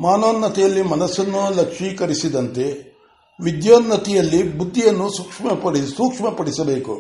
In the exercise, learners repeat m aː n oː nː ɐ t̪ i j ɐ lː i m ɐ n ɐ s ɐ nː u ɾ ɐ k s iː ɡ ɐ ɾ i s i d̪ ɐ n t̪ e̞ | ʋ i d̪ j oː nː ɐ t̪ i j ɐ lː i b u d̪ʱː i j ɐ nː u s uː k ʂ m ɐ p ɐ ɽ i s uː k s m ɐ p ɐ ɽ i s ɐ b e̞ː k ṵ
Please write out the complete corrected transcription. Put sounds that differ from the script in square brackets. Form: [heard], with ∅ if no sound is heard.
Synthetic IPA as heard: m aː n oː nː ɐ t̪ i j ɐ lː i m ɐ n ɐ s ɐ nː u [l] ɐ k [ʂ] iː [k] ɐ ɾ i s i d̪ ɐ n t̪ e̞ | ʋ i d̪ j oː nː ɐ t̪ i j ɐ lː i b u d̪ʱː i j ɐ nː u s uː k ʂ m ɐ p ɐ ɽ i s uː k [ʂ] m ɐ p ɐ ɽ i s ɐ b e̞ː k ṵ